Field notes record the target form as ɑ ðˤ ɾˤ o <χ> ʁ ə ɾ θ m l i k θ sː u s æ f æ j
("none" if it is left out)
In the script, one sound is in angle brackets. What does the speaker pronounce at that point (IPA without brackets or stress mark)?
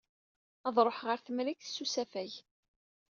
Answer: ħ